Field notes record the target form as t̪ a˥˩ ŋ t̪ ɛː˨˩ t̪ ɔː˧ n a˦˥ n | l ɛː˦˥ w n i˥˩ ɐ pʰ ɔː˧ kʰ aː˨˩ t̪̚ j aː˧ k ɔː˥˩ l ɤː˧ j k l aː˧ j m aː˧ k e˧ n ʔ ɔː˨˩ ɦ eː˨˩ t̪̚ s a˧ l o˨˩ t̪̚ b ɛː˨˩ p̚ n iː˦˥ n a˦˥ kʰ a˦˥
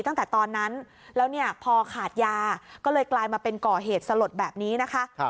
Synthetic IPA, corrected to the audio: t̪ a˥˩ ŋ t̪ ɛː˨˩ t̪ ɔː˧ nː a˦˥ n | l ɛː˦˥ w n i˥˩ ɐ pʰ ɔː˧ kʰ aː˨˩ t̪̚ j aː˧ k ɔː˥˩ l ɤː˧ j k l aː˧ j m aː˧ p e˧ n k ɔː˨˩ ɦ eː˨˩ t̪̚ s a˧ l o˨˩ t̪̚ b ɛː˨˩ p̚ n iː˦˥ n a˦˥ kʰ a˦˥